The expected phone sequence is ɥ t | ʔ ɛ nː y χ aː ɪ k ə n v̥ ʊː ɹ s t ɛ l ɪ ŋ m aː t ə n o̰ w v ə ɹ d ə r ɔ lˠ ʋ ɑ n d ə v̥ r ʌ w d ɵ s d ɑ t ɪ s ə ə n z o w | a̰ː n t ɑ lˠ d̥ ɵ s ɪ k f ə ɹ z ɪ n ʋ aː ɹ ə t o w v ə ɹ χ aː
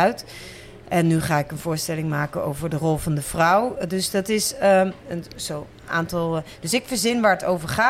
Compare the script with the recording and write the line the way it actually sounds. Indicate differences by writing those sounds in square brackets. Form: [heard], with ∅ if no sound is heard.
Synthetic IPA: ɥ t | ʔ ɛ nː y χ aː ɪ k ə n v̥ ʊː ɹ s t ɛ l ɪ ŋ m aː [k] ə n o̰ w v ə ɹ d ə r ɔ lˠ [v] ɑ n d ə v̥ r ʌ w d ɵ s d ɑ t ɪ s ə ə n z o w | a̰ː n t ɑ lˠ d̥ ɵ s ɪ k f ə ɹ z ɪ n ʋ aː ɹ ə t o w v ə ɹ χ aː